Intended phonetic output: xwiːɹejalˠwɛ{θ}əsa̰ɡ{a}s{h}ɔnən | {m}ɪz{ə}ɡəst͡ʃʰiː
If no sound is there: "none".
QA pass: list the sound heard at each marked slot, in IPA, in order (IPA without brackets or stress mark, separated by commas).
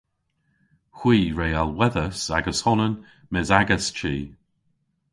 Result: ð, ə, h, m, a